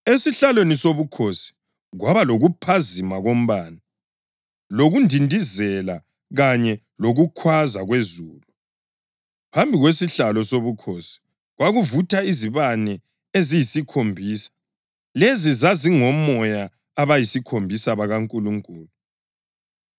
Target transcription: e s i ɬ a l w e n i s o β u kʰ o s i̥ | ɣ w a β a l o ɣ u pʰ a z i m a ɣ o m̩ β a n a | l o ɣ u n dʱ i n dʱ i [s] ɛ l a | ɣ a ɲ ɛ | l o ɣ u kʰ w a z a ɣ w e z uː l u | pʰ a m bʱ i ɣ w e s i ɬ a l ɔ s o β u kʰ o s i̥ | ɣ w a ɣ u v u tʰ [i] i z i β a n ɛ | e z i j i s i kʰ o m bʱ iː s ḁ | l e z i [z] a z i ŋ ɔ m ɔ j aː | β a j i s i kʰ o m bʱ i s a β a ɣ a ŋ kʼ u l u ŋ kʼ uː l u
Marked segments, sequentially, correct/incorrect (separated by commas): incorrect, incorrect, correct